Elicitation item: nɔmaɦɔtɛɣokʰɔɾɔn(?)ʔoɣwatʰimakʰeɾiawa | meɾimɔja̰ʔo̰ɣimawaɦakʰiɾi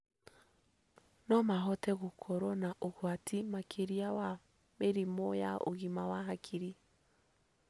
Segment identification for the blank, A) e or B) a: B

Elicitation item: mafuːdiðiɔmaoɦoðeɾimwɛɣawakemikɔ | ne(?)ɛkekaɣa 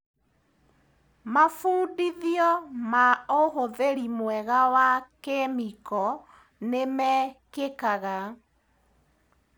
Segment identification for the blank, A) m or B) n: A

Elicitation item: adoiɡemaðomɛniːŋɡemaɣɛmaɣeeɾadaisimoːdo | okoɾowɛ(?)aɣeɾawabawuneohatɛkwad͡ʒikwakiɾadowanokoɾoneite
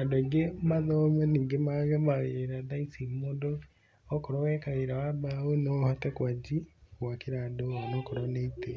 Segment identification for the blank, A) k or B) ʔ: A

